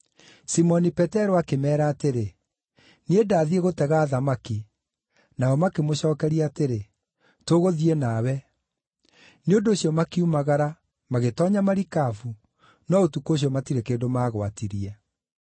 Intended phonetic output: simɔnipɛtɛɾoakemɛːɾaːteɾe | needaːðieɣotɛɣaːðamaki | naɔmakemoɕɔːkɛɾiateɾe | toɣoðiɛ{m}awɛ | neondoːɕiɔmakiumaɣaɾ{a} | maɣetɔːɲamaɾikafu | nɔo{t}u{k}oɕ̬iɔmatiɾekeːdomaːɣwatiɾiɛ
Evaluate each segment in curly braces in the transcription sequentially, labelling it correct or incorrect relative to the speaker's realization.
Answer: incorrect: n, correct, correct, correct

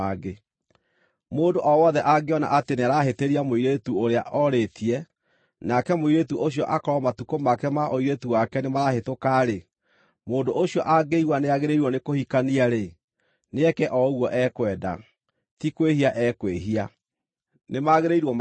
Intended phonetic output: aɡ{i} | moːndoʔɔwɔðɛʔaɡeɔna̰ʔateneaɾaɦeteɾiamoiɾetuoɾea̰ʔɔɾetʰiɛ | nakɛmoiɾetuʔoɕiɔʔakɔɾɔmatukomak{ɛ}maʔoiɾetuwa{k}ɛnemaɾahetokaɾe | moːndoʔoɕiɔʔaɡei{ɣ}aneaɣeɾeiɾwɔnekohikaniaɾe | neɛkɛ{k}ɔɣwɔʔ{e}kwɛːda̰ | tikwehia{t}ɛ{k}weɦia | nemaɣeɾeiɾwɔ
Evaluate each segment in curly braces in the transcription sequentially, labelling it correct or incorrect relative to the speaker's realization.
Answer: incorrect: e, correct, correct, incorrect: w, incorrect: ʔ, incorrect: ɛ, incorrect: ʔ, correct

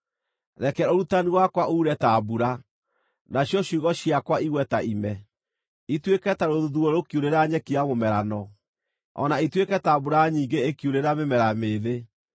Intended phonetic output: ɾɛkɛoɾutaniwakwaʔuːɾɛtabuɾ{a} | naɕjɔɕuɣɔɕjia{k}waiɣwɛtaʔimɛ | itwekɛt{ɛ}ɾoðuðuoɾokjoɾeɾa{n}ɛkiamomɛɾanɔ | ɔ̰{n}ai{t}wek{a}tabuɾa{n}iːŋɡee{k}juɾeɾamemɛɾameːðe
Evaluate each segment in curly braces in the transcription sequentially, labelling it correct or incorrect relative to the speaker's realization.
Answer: correct, correct, incorrect: a, incorrect: ɲ, correct, correct, incorrect: ɛ, incorrect: ɲ, correct

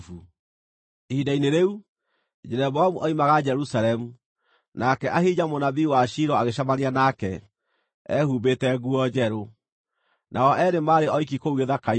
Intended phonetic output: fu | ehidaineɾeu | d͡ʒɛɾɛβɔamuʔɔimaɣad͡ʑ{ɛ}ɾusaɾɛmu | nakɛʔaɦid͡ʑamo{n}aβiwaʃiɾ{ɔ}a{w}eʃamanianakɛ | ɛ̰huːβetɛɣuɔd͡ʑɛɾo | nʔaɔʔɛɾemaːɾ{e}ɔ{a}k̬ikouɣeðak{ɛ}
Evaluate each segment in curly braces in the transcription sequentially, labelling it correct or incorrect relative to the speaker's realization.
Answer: correct, correct, correct, incorrect: ɣ, correct, incorrect: i, incorrect: a

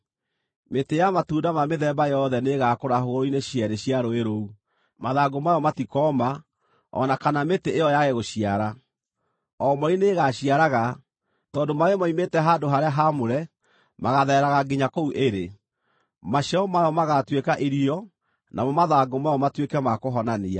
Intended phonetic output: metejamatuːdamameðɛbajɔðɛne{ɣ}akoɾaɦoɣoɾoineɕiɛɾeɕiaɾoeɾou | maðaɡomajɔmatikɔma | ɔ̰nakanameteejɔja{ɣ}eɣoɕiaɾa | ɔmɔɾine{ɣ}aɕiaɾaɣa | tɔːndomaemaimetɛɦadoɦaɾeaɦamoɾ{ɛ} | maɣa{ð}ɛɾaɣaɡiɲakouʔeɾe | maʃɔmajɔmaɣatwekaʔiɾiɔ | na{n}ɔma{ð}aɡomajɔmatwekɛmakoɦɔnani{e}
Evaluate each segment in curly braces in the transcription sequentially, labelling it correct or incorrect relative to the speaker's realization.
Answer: correct, correct, correct, correct, correct, incorrect: m, correct, incorrect: a

